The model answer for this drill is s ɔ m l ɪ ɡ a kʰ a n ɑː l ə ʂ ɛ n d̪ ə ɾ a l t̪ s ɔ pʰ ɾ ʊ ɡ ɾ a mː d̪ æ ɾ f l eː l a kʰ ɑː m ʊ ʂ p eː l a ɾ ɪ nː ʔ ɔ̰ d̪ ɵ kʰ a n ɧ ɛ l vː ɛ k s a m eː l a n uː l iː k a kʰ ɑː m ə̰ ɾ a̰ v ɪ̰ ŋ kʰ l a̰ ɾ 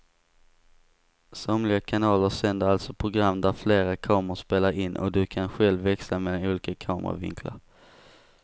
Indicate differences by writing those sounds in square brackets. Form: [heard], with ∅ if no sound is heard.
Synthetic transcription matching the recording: s ɔ m l ɪ ɡ a kʰ a n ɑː l ə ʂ ɛ n d̪ ə ɾ a l t̪ s ɔ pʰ ɾ ʊ ɡ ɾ a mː d̪ æ ɾ f l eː [ɾ] a kʰ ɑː m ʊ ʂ p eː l a ɾ ɪ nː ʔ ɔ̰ d̪ ɵ kʰ a n ɧ ɛ l vː ɛ k s a m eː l a n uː l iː k a kʰ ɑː m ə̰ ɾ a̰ v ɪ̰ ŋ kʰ l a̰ ɾ